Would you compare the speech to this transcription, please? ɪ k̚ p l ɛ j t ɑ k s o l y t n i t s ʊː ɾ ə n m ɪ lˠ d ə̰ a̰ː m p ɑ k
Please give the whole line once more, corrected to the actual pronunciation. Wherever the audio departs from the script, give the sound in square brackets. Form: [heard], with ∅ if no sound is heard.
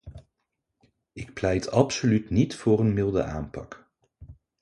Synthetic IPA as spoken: ɪ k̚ p l ɛ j t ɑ [p] s o l y t n i t [f] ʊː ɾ ə n m ɪ lˠ d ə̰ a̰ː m p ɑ k